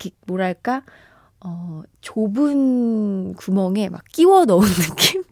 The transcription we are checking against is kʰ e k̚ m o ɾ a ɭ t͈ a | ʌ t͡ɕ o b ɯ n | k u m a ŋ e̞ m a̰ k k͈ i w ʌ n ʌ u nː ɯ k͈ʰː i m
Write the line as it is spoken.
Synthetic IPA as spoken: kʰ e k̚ m o ɾ a ɭ k͈ a | ʌ t͡ɕ o b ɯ n | k u m ʌ ŋ e̞ m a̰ k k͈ i w ʌ n ʌ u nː ɯ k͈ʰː i m